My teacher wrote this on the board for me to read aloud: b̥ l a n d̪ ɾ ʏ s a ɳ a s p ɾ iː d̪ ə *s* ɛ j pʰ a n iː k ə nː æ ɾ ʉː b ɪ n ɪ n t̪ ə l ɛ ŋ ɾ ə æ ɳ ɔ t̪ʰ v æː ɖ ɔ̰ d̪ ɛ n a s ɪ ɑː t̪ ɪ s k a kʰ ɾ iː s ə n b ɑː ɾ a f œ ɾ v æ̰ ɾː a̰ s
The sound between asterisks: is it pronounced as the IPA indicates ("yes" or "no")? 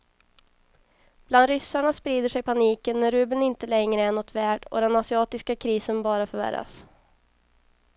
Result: no